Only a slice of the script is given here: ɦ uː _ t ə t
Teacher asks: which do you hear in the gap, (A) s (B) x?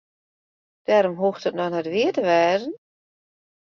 B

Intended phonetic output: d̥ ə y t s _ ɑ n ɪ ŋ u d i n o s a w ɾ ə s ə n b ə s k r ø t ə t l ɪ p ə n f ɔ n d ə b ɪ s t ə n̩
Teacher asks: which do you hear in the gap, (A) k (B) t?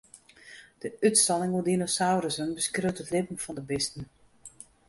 B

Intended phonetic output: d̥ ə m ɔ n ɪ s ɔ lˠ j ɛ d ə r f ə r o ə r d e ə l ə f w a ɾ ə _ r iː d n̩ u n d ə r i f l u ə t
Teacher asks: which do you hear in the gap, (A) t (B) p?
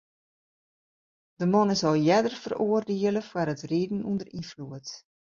A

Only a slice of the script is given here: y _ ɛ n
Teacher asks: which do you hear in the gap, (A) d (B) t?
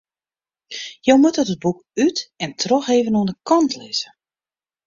B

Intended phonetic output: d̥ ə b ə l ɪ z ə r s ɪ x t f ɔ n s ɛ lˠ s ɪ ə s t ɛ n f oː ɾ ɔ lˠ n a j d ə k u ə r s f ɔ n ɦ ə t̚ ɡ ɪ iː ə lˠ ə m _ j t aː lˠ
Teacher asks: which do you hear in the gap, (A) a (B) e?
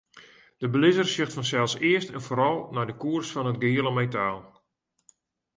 B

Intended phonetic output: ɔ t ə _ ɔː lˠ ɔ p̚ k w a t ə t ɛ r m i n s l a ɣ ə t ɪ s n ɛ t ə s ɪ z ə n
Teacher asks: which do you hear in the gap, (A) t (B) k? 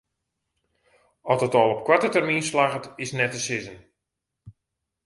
A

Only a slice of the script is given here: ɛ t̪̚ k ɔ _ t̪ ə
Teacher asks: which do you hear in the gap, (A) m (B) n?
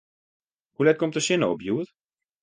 A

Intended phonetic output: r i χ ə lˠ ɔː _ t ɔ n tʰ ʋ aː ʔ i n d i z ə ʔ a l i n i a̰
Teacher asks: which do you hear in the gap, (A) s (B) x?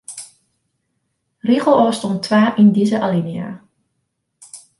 A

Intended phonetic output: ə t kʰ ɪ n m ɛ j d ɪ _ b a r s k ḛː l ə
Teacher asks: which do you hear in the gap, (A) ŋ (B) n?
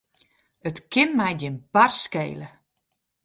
B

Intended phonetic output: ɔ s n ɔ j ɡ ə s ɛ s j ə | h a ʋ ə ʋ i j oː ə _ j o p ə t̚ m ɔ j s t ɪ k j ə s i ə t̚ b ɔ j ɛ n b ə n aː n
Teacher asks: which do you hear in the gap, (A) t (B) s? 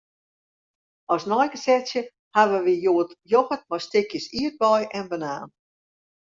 A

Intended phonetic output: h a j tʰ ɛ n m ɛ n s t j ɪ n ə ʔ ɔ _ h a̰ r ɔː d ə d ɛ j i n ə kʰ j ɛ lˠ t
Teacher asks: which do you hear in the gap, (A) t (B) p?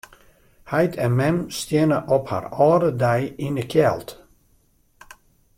B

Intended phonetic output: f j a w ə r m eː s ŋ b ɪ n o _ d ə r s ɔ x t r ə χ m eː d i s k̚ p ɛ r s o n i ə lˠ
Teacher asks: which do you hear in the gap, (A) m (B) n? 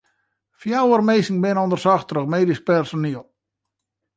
B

